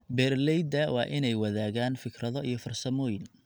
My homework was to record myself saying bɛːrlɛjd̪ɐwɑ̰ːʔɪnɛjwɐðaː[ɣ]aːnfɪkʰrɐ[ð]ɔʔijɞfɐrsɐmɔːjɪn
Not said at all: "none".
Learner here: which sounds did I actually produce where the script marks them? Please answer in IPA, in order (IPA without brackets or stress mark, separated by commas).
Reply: ɣ, ð